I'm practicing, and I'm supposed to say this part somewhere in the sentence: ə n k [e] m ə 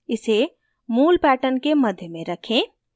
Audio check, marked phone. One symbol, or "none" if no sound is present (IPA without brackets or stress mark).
e